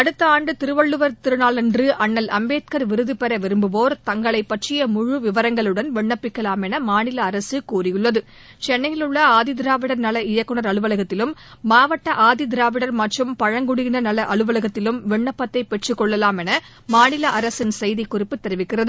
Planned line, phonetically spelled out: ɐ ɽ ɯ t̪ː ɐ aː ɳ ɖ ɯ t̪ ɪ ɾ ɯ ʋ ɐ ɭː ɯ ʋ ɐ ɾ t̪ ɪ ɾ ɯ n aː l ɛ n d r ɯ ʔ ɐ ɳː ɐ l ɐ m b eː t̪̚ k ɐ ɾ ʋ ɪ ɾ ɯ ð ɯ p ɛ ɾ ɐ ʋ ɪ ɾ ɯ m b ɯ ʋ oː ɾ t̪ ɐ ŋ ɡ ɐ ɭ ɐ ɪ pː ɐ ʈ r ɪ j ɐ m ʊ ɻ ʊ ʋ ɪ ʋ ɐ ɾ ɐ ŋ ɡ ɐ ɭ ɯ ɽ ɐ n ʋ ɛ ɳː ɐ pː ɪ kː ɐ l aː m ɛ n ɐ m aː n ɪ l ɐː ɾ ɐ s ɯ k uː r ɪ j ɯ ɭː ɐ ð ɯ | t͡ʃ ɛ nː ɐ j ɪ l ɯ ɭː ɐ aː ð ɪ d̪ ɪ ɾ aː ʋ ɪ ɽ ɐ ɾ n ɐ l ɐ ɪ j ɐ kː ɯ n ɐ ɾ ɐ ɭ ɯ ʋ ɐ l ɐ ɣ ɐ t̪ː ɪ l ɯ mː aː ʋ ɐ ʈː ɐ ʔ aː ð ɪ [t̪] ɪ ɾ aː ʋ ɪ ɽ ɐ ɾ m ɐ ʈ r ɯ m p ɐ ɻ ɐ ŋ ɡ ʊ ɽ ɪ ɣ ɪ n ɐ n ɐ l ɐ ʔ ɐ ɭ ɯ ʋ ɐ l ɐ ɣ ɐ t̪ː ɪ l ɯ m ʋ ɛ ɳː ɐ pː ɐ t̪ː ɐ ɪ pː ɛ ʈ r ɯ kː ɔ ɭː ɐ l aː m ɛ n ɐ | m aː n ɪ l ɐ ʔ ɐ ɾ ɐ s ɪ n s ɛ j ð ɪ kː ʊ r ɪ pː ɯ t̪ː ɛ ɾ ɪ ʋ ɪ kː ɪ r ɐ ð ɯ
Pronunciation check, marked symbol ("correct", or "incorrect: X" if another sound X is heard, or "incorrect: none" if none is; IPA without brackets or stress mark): incorrect: d̪